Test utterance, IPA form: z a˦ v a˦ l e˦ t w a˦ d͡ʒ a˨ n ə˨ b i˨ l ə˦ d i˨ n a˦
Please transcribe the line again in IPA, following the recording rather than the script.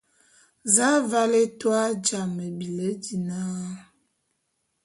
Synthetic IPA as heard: z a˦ v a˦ l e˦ t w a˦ d͡ʒ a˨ m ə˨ b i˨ l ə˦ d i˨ n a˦